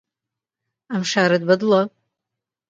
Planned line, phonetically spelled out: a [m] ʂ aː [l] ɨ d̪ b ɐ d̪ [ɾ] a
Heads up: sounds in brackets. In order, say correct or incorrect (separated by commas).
correct, incorrect, incorrect